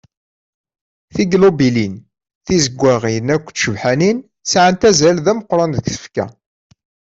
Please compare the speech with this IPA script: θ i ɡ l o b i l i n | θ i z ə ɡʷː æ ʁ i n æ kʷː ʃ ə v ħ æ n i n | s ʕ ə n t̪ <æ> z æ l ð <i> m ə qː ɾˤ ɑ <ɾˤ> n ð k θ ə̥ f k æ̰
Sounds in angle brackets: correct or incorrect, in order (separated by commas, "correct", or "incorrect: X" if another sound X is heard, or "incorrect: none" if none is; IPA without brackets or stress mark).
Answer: correct, incorrect: æ, incorrect: none